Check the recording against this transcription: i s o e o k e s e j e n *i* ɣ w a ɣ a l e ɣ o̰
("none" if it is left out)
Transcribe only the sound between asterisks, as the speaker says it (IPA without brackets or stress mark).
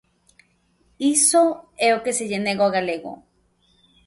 e